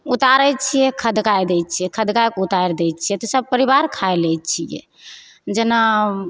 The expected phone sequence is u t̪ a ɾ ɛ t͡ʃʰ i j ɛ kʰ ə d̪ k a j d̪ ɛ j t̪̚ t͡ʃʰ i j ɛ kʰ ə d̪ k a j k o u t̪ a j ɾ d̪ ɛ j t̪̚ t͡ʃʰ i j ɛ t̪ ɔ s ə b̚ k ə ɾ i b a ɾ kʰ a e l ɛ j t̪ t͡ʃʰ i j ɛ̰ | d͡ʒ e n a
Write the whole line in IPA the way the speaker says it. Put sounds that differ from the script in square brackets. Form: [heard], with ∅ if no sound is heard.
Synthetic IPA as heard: u t̪ a ɾ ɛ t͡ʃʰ i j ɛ kʰ ə d̪ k a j d̪ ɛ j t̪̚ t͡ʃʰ i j ɛ kʰ ə d̪ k a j k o u t̪ a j ɾ d̪ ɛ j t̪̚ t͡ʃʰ i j ɛ t̪ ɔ s ə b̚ [p] ə ɾ i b a ɾ kʰ a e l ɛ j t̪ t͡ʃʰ i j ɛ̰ | d͡ʒ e n a